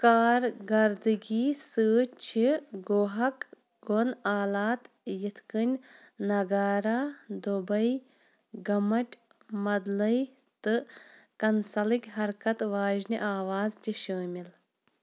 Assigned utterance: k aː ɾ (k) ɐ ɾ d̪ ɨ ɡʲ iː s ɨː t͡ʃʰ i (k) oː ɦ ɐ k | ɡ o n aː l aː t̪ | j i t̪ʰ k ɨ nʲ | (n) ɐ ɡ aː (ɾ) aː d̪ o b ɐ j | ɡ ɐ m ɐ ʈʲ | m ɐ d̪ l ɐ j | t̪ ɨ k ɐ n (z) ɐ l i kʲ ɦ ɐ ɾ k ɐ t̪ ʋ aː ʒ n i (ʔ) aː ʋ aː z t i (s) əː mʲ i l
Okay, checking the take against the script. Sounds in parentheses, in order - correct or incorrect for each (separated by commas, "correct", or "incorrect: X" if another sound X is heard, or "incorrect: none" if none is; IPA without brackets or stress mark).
incorrect: ɡ, incorrect: ɡ, correct, correct, incorrect: s, correct, incorrect: ʃ